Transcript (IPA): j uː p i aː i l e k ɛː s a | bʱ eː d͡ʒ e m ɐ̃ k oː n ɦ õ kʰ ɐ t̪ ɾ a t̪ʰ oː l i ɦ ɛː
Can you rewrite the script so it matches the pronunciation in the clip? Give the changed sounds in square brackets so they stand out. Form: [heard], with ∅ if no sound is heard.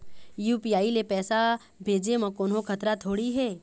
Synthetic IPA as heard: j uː p i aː i l e [p] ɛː s a | bʱ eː d͡ʒ e m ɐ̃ k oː n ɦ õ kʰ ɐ t̪ ɾ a t̪ʰ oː [ɽ] i ɦ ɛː